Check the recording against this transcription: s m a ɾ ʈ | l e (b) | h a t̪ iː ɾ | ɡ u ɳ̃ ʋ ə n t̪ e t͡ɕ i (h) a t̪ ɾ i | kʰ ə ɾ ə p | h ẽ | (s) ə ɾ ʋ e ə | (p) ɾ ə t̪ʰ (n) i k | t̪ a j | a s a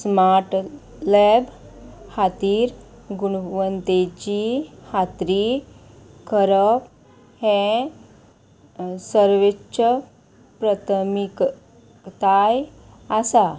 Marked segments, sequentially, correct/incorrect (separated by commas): correct, correct, correct, correct, incorrect